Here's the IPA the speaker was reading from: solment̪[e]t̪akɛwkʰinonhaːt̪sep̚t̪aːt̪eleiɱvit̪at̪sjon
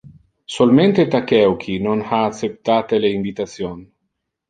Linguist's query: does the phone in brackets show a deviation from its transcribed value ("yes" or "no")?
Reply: no